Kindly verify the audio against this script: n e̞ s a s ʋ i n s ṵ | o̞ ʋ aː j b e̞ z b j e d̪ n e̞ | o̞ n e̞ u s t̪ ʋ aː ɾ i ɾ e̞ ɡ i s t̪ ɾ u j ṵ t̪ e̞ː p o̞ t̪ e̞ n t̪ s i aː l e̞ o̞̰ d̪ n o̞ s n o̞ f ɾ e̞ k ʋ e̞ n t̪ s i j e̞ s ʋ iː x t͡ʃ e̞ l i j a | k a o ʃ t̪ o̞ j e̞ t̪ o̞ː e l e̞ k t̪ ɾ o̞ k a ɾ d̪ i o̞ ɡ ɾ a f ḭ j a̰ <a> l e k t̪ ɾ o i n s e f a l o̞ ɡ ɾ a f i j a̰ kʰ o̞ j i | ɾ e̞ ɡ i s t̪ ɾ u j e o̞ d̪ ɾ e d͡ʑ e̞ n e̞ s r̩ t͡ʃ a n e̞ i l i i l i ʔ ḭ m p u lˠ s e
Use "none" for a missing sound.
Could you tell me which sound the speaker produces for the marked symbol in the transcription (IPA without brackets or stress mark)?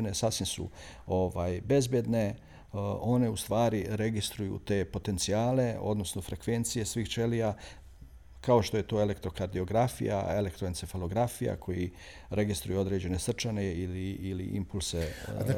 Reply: e